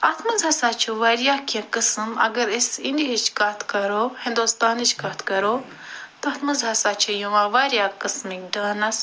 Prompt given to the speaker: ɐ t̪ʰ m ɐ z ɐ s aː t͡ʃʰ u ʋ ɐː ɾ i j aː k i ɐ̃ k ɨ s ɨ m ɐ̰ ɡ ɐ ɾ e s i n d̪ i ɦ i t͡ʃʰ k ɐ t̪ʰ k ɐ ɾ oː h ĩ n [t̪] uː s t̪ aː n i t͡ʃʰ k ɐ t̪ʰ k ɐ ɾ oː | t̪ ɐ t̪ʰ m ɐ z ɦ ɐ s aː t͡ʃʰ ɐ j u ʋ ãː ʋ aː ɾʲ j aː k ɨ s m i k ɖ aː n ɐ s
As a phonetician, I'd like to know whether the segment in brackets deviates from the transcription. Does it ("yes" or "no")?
yes